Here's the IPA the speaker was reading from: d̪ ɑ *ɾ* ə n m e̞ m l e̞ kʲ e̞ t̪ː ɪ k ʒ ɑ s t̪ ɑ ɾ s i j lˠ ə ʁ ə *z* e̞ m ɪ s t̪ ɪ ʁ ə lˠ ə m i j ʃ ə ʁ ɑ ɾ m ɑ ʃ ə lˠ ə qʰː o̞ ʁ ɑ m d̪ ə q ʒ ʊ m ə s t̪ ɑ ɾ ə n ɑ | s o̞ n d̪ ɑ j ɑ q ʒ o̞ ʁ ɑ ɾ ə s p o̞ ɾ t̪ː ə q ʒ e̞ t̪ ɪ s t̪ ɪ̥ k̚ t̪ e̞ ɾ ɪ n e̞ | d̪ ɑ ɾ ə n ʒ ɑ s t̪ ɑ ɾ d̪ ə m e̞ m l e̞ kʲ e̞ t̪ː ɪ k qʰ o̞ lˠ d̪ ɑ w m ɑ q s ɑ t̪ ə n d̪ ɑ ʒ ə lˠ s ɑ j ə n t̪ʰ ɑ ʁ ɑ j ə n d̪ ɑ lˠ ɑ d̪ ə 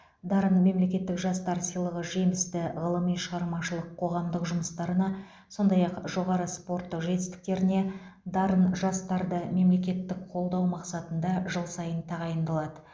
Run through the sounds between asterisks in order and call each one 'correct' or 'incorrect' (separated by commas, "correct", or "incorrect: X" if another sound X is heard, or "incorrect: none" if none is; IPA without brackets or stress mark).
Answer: correct, incorrect: ʒ